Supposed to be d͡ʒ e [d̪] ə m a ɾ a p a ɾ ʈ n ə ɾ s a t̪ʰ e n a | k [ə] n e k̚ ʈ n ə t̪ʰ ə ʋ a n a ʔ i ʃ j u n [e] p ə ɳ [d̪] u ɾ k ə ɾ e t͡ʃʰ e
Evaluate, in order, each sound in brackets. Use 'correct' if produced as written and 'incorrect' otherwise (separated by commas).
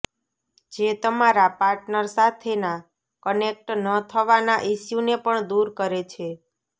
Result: incorrect, correct, correct, correct